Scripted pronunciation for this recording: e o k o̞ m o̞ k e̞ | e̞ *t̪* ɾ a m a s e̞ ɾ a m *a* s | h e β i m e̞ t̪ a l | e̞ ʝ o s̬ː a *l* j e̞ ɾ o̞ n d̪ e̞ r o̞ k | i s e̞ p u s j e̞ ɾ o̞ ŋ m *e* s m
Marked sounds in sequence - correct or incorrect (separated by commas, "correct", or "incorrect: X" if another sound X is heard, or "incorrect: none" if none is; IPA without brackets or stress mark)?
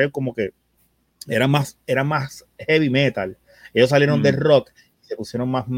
incorrect: none, correct, correct, incorrect: a